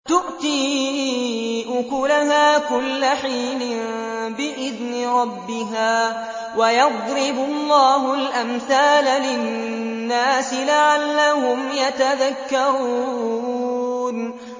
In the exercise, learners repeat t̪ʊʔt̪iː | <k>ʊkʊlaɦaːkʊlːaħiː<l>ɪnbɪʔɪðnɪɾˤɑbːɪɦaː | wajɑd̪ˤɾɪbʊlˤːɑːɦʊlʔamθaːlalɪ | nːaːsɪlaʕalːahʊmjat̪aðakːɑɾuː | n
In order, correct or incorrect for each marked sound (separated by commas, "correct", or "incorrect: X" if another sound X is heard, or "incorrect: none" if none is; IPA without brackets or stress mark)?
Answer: incorrect: ʔ, correct